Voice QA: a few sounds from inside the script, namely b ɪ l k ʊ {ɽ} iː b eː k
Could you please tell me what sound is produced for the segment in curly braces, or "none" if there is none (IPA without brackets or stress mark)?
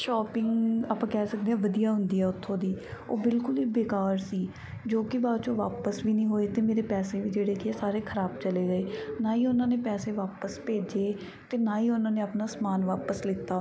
l